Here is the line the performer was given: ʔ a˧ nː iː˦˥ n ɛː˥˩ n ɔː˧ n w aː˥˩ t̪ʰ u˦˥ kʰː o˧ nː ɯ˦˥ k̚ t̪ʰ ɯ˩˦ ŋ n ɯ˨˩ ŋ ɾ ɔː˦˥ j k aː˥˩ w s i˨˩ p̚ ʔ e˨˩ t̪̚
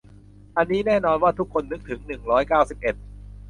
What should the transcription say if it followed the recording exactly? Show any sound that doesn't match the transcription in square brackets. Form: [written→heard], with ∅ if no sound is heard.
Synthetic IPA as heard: ʔ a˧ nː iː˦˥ n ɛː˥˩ n ɔː˧ n w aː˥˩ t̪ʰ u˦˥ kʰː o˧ nː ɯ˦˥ k̚ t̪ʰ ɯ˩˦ ŋ n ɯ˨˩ ŋ ɾ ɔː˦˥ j k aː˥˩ w s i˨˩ p̚ ʔ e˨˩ t̪̚